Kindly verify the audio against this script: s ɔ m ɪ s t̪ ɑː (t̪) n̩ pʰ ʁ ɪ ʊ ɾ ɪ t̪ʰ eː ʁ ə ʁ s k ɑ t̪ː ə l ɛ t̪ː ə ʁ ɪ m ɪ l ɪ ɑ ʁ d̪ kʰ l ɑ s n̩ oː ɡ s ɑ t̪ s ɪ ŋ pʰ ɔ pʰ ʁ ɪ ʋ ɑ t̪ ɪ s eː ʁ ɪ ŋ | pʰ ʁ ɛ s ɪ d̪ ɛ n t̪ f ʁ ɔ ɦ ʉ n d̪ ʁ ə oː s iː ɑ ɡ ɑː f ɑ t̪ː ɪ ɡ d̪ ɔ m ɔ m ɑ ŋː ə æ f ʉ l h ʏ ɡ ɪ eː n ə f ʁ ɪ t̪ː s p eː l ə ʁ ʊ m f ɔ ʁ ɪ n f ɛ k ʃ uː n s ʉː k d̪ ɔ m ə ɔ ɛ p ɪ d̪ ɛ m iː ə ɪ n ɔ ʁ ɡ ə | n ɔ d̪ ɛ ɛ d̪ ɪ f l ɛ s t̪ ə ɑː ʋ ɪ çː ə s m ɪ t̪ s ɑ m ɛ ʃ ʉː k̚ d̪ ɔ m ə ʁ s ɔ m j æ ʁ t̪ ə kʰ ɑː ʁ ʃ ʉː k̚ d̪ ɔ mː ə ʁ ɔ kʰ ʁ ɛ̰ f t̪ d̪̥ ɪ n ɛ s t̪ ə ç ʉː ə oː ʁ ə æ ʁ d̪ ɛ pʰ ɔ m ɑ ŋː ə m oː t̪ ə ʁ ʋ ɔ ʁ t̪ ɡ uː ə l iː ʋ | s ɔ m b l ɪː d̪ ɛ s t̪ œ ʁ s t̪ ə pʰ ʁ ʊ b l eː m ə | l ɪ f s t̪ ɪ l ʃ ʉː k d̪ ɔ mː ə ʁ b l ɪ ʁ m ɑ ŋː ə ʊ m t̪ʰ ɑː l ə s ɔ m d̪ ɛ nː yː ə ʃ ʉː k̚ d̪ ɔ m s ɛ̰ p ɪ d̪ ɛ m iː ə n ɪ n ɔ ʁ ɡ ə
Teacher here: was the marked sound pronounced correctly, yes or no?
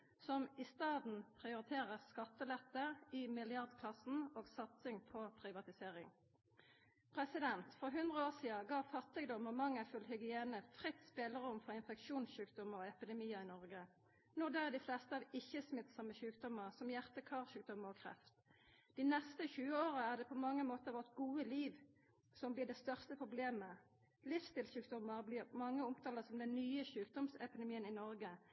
no